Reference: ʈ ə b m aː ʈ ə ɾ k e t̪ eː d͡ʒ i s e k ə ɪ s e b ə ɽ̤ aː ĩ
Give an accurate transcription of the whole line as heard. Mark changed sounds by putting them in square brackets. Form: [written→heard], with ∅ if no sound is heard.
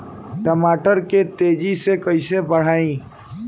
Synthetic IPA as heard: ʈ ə [b→∅] m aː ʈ ə ɾ k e t̪ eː d͡ʒ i s e k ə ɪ s e b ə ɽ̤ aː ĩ